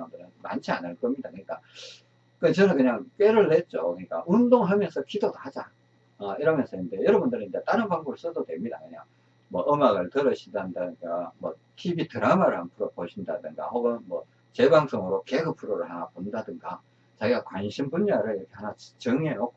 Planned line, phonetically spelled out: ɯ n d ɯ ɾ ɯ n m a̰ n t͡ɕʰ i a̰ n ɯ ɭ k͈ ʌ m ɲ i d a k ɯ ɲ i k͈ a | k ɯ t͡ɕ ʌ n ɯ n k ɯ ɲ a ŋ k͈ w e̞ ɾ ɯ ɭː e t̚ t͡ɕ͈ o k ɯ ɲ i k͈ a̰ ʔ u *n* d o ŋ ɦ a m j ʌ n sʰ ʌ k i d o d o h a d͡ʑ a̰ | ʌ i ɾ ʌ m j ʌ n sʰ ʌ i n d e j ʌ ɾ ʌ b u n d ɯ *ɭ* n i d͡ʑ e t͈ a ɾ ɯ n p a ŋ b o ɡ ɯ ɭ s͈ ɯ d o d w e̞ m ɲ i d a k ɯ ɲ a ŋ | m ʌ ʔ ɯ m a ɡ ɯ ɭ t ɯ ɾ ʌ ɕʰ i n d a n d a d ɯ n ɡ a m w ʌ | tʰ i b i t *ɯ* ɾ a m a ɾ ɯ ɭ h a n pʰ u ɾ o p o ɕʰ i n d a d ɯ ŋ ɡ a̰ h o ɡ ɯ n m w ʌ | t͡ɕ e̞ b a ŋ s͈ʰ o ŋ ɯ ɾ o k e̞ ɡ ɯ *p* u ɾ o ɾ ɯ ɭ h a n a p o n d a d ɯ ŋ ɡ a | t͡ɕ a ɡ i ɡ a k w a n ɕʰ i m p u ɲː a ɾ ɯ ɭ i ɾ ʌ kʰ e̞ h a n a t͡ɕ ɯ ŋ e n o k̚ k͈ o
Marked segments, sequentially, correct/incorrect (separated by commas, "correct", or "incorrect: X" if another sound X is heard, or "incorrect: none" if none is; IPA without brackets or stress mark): correct, incorrect: ɾ, correct, incorrect: pʰ